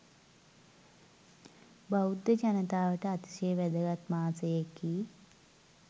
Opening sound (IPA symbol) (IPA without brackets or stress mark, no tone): b